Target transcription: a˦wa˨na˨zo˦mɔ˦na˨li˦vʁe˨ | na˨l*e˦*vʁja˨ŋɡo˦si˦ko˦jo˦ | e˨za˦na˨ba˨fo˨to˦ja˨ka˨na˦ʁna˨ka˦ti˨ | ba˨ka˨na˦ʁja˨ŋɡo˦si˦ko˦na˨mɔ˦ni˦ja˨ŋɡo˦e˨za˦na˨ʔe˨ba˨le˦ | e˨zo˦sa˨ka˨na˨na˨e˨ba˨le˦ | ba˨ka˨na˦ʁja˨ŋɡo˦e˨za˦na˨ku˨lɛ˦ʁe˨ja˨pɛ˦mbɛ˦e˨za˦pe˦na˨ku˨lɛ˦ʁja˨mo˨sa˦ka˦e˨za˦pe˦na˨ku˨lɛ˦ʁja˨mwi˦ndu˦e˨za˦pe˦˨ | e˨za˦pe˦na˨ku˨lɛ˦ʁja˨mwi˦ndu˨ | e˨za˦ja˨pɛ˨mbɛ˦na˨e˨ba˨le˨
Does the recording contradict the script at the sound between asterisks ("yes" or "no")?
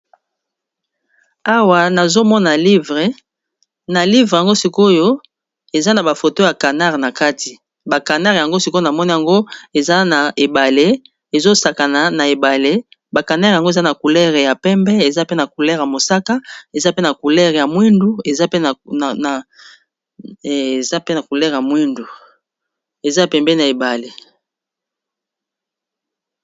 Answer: yes